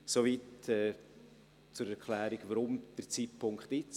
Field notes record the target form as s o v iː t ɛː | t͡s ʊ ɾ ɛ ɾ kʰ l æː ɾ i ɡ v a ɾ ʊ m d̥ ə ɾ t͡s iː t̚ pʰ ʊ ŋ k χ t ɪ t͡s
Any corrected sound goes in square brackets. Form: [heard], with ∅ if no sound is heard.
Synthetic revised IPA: s o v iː t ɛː | t͡s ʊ ɾ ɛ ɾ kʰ l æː ɾ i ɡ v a ɾ ʊ m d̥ ə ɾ t͡s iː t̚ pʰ ʊ ŋ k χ t ɪ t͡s